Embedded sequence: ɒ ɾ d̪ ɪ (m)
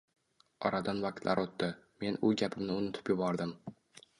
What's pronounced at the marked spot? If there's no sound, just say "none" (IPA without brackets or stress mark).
m